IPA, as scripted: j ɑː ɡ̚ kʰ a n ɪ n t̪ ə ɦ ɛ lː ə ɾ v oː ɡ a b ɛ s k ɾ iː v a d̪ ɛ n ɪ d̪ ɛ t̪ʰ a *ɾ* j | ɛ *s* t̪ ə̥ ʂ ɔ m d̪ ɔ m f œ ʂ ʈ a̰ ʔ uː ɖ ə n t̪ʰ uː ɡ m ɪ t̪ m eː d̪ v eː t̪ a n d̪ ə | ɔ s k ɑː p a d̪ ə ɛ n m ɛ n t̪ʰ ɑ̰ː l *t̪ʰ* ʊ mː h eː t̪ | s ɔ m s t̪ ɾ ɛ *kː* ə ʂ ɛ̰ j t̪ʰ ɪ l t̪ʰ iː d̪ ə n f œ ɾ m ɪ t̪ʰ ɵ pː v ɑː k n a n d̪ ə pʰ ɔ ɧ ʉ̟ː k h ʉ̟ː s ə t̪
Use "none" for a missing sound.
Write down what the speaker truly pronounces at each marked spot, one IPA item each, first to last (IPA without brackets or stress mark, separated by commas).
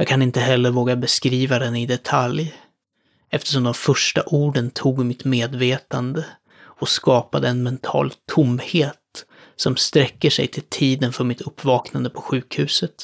l, f, t̪ʰ, kː